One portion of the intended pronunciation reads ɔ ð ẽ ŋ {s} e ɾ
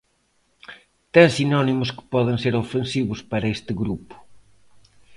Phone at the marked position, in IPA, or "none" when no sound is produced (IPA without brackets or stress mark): s